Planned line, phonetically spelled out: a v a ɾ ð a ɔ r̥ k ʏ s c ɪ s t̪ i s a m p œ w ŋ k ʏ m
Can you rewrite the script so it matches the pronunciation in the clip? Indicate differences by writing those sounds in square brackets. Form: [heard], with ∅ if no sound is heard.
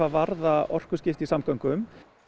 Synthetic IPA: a v a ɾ ð a ɔ r̥ k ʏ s c ɪ [f] t̪ i s a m [k] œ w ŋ k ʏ m